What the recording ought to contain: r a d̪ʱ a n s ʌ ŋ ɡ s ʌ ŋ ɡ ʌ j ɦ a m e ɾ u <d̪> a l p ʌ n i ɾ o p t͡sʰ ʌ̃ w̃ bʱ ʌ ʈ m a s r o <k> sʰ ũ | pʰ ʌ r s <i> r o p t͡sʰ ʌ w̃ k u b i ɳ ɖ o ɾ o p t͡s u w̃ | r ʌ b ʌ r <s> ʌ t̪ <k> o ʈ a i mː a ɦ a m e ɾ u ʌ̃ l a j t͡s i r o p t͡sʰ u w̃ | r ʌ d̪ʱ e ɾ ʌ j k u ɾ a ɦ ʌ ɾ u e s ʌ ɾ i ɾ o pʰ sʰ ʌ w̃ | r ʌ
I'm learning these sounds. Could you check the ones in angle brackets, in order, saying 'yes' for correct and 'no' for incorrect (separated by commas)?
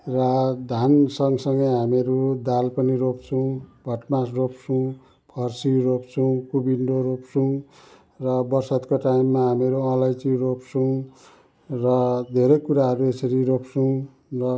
yes, no, yes, yes, yes